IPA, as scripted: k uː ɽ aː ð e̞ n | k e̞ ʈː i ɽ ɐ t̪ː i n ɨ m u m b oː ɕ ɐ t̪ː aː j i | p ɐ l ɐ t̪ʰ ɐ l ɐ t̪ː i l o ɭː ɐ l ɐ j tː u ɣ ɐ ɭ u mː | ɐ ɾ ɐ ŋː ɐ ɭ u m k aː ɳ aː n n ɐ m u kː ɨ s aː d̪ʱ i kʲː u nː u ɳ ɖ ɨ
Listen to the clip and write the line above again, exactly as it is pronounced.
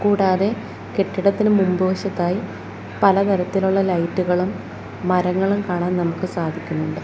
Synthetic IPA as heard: k uː ɽ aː ð e̞ | k e̞ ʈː i ɽ ɐ t̪ː i n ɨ m u m b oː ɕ ɐ t̪ː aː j i | p ɐ l ɐ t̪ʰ ɐ ɾ ɐ t̪ː i l u ɭː ɐ l ɐ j tː u ɣ ɐ ɭ u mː | ɐ ɾ ɐ ŋː ɐ ɭ u m k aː ɳ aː n n ɐ m u kː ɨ s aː d̪ʱ i kʲː u nː u ɳ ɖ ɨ